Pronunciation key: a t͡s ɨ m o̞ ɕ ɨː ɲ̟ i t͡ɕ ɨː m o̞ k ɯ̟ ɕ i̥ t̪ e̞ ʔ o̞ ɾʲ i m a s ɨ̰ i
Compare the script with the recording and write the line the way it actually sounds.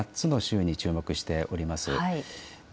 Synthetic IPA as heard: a t͡s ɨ n o̞ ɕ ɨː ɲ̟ i t͡ɕ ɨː m o̞ k ɯ̟ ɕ i̥ t̪ e̞ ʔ o̞ ɾʲ i m a s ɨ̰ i